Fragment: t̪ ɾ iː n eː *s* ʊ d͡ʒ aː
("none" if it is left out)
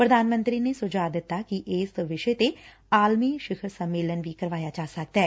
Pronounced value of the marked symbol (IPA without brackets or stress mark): s